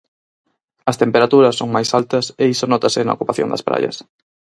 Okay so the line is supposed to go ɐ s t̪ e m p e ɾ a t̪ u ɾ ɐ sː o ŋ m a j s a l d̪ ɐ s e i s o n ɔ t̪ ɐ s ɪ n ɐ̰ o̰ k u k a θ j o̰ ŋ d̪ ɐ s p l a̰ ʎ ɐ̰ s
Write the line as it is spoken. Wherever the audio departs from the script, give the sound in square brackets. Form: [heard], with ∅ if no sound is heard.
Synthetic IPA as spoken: ɐ s t̪ e m p e ɾ a t̪ u ɾ ɐ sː o ŋ m a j s a l [t̪] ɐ s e i s o n ɔ t̪ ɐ s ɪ n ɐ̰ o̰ k u [p] a θ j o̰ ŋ d̪ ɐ s p [ɾ] a̰ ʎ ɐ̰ s